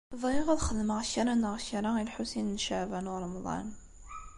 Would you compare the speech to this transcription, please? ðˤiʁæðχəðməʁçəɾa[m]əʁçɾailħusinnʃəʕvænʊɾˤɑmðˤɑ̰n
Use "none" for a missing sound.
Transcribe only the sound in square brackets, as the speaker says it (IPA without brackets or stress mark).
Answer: n